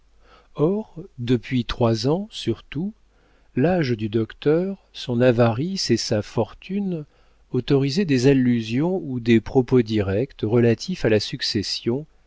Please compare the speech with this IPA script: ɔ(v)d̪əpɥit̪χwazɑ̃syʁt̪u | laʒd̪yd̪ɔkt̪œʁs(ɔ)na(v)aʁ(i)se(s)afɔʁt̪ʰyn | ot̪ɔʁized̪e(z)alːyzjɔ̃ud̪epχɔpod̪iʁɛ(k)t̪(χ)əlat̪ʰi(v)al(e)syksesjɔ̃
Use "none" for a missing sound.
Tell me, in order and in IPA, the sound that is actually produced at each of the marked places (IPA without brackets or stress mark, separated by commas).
ʁ, ɔ̃, v, i, s, z, k, ʁ, f, a